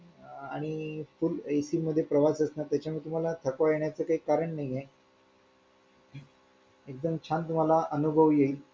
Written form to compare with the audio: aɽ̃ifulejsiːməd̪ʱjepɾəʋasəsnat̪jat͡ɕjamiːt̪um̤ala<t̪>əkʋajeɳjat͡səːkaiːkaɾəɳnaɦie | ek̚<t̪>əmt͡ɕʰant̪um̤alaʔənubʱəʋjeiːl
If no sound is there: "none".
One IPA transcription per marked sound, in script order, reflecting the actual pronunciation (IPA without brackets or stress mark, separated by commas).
t̪ʰ, d̪